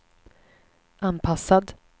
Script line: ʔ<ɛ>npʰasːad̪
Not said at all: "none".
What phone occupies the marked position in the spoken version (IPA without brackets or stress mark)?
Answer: a